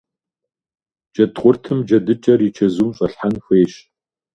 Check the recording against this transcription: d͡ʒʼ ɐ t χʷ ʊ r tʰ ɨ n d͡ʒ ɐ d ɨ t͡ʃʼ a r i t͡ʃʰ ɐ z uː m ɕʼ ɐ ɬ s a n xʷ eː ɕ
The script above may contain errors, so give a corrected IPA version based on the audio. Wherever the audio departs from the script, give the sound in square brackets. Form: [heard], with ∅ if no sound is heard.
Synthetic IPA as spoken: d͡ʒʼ ɐ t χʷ ʊ r tʰ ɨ [m] d͡ʒ ɐ d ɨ t͡ʃʼ [ɐ] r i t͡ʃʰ ɐ z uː m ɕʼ ɐ ɬ [ħ] a n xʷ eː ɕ